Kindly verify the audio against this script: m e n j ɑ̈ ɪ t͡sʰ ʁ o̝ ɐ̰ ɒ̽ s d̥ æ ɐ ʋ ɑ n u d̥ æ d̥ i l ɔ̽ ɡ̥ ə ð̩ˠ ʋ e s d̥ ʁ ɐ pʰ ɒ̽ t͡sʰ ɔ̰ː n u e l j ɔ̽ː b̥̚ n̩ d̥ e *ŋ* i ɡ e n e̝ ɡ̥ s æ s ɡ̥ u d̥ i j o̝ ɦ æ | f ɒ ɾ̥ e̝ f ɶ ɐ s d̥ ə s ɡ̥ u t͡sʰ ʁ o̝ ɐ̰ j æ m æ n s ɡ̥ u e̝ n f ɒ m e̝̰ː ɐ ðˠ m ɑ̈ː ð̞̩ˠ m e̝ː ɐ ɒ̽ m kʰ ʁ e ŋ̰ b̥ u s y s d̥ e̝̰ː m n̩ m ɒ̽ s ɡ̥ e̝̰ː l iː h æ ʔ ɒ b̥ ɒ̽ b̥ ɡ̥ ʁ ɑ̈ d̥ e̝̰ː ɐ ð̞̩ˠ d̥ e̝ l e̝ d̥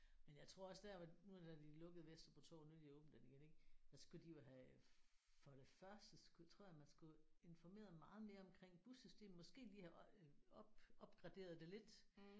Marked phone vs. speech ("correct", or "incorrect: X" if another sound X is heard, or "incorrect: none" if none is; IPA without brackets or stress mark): incorrect: n